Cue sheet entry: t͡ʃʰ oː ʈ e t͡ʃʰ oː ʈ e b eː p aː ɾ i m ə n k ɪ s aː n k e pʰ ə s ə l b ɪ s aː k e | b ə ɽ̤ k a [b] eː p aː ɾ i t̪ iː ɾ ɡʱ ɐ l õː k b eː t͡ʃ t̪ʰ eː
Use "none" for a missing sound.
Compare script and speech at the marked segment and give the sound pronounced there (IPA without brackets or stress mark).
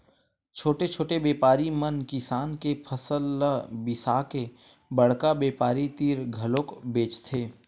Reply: b